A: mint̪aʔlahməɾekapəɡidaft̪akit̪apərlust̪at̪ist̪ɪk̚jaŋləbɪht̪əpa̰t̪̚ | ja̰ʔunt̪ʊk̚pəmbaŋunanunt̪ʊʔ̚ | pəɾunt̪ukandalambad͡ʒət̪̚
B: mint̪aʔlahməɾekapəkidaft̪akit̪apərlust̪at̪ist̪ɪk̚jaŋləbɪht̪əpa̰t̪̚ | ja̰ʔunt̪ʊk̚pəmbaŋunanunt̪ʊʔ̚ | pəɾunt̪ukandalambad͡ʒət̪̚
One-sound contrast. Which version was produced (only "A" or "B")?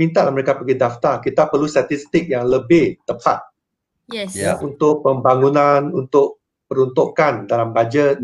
A